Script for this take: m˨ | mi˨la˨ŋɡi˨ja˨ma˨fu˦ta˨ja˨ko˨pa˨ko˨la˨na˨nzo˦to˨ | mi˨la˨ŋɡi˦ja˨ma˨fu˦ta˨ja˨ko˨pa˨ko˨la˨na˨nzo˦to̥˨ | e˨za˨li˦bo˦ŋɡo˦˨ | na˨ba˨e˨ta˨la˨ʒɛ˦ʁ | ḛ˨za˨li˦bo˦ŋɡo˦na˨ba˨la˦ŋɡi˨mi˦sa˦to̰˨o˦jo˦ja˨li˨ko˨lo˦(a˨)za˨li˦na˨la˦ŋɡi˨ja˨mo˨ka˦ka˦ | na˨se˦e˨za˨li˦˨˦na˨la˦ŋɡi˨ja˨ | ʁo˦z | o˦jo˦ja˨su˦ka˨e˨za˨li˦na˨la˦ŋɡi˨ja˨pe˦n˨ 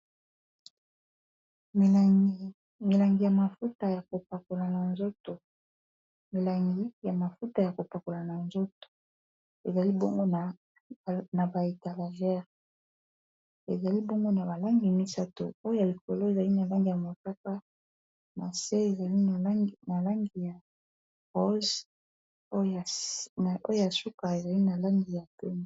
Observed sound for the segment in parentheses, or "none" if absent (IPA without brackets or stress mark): e˨